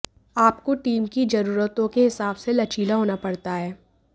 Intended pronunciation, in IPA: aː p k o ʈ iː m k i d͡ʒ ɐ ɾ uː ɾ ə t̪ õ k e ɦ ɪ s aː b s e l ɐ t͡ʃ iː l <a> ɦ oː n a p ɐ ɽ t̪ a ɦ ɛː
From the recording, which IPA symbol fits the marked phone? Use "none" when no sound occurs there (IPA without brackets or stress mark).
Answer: a